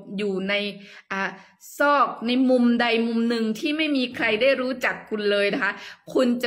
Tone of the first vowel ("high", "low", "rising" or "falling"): low